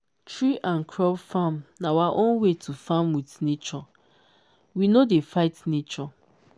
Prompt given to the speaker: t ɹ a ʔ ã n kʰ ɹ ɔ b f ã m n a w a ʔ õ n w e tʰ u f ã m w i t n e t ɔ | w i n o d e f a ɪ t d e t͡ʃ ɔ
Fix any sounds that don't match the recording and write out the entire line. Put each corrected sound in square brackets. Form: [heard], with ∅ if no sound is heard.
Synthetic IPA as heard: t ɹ [i] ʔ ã n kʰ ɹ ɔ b f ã m n a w a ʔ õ n w e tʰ u f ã m w i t n e [t͡ʃ] ɔ | w i n o d e f a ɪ t [n] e t͡ʃ ɔ